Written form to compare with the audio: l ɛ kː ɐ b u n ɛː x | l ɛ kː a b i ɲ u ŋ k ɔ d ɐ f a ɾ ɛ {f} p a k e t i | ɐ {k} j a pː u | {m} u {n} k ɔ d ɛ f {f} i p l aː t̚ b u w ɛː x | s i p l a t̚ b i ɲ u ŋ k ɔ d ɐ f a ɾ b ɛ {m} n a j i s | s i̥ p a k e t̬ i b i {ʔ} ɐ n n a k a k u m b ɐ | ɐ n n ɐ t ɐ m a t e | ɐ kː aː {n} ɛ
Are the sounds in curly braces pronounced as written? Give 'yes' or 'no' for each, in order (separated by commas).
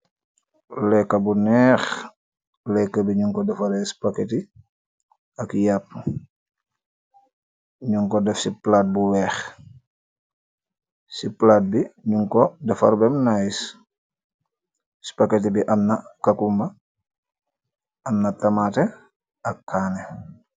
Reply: no, yes, no, no, no, yes, yes, yes